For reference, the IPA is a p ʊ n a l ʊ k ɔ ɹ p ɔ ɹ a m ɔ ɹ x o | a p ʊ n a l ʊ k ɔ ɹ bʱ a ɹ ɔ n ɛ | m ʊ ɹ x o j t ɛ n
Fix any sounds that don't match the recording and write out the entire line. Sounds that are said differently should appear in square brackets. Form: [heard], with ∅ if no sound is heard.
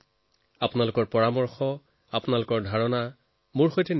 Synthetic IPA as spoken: a p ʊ n a l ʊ k ɔ ɹ p ɔ ɹ a m ɔ ɹ x [ɔ] | a p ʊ n a l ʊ k ɔ ɹ [dʱ] a ɹ ɔ n [a] | m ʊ ɹ x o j t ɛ n